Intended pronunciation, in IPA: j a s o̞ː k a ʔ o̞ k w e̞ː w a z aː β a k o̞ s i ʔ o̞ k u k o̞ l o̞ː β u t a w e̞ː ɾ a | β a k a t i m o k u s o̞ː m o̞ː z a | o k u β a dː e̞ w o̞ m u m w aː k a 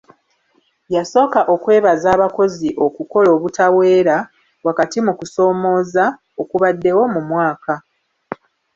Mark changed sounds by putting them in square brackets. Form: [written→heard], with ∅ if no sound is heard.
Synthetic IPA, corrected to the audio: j a s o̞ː k a ʔ o̞ k w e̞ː [w→β] a z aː β a k o̞ [s→z] i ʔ o̞ k u k o̞ l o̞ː β u t a w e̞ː ɾ a | [β→w] a k a t i m [o→u] k u s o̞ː m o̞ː z a | o k u β a dː e̞ w o̞ m u m w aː k a